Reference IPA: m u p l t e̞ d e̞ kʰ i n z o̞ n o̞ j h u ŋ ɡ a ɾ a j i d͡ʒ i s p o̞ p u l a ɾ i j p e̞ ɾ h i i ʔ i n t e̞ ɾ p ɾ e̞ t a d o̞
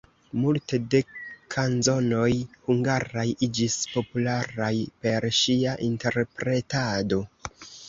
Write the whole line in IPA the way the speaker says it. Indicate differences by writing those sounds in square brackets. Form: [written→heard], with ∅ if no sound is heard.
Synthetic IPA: m u [p→∅] l t e̞ d e̞ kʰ [i→a] n z o̞ n o̞ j h u ŋ ɡ a ɾ a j i d͡ʒ i s p o̞ p u l a ɾ [i→a] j p e̞ ɾ [h→ʃ] i [i→a] ʔ i n t e̞ ɾ p ɾ e̞ t a d o̞